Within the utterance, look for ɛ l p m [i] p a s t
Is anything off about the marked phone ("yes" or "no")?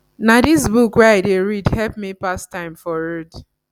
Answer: no